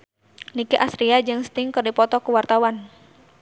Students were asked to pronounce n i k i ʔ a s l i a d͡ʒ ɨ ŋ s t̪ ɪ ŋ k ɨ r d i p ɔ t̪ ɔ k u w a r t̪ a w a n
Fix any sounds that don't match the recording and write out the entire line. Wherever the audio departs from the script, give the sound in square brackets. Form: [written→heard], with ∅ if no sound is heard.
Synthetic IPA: n i k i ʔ a s [l→ɾ] i a d͡ʒ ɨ ŋ s t̪ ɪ ŋ k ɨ r d i p ɔ t̪ ɔ k u w a r t̪ a w a n